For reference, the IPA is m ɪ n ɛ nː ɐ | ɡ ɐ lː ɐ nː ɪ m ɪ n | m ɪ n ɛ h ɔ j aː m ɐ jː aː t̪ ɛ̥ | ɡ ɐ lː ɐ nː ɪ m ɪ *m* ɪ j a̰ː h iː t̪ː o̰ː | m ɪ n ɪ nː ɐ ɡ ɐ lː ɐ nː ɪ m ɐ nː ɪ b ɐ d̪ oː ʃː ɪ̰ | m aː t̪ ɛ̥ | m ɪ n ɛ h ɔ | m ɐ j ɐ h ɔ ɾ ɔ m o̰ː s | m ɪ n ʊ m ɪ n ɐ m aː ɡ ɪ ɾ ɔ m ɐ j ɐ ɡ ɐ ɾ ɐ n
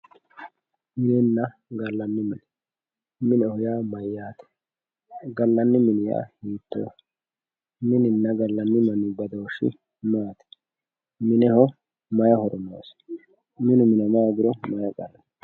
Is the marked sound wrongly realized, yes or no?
yes